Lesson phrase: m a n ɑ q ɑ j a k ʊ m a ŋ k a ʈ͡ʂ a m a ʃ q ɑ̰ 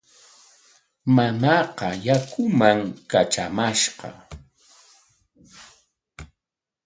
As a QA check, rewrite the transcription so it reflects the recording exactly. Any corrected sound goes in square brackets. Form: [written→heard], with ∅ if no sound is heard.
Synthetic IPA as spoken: m a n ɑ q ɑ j a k ʊ m a ŋ k a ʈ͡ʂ a m a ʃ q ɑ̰